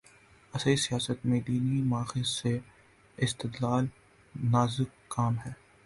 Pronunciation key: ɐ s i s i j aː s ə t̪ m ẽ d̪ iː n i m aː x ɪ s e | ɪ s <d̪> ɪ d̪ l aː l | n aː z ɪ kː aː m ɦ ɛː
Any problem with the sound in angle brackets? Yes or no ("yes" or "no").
yes